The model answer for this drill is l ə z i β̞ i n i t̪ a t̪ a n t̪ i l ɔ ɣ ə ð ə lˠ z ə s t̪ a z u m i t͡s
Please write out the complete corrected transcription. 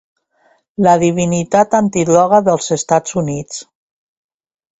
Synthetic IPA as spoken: l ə ð i β̞ i n i t̪ a t̪ a n t̪ i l ɔ ɣ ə ð ə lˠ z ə s t̪ a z u n i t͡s